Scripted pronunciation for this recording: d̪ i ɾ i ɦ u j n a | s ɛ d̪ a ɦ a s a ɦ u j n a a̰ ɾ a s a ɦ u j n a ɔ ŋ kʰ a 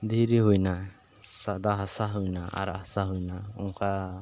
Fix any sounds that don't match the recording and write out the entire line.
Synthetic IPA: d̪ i ɾ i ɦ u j n a | s a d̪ a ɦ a s a ɦ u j n a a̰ ɾ a s a ɦ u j n a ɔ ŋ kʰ a